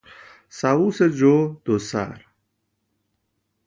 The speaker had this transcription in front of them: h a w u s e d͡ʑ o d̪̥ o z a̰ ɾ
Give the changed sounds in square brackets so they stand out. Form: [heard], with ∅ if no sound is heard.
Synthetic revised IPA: [s] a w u s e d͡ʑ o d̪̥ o [s] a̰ ɾ